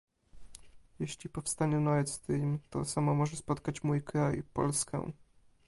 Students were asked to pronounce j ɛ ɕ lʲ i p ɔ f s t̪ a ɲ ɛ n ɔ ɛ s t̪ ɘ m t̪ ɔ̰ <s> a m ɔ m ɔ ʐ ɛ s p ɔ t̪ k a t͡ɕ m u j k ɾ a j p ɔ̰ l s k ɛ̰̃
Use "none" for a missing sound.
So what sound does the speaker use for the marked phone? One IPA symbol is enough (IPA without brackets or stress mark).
s